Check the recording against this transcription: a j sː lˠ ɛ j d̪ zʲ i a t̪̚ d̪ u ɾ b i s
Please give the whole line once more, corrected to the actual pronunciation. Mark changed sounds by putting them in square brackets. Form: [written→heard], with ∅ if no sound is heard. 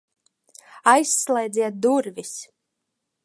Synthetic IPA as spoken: a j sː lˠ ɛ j d̪ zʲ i [a→ɛ] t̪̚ d̪ u ɾ [b→v] i s